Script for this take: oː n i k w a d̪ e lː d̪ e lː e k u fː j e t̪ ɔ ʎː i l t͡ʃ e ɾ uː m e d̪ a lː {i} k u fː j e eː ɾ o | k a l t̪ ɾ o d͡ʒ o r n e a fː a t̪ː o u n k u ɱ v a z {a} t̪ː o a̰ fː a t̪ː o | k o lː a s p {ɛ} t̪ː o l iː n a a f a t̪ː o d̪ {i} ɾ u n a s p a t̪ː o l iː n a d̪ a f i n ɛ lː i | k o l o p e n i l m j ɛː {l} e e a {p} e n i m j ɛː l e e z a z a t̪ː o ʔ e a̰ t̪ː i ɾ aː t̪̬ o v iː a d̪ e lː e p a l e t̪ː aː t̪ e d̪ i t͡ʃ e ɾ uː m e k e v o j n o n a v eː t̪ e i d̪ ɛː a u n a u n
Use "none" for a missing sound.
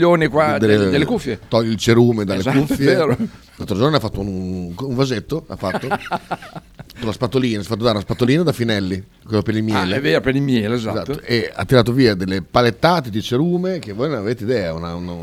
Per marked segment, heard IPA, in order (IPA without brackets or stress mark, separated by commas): e, e, a, a, l, p